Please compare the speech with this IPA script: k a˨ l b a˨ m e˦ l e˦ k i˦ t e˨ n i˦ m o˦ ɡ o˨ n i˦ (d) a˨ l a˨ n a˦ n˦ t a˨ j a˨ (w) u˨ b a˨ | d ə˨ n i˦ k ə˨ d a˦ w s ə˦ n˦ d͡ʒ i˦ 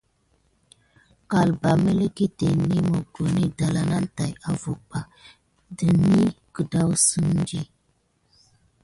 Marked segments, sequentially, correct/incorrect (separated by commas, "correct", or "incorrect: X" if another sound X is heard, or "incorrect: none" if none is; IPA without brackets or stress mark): correct, incorrect: v